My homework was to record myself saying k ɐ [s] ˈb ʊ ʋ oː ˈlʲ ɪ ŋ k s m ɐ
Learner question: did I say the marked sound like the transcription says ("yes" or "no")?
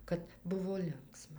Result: no